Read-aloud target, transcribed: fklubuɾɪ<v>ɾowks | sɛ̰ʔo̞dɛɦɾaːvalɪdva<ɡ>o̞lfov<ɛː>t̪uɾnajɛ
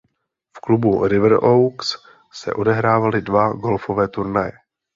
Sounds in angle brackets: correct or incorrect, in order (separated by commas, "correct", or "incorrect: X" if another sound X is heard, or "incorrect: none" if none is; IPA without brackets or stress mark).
correct, correct, correct